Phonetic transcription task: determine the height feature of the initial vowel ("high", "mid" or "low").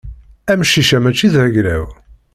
low